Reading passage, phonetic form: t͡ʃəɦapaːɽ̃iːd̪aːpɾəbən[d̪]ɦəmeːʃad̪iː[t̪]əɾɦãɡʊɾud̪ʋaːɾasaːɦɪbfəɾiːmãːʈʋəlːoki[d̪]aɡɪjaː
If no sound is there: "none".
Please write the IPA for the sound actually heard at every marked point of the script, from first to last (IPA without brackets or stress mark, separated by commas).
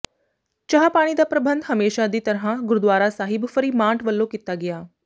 d̪, t̪, t̪